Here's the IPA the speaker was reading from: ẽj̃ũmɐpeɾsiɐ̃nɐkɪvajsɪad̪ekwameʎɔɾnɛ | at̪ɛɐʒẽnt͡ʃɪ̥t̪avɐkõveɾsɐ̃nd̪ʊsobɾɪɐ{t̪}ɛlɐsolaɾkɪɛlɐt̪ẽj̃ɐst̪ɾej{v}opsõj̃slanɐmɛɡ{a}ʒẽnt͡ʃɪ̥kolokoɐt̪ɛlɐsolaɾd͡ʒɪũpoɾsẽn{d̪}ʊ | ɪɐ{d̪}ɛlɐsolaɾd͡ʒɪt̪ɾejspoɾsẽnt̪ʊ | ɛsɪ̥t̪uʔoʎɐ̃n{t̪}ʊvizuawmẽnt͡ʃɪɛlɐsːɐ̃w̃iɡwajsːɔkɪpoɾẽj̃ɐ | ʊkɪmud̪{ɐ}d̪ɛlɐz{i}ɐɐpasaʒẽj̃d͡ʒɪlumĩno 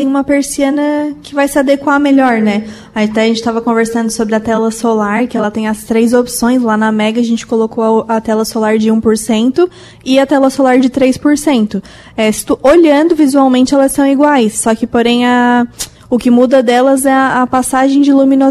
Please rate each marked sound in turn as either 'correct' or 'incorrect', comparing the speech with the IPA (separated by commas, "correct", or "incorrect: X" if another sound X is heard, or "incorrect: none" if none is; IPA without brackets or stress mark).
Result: correct, incorrect: z, incorrect: ɐ, incorrect: t̪, incorrect: t̪, incorrect: d̪, correct, incorrect: ɛ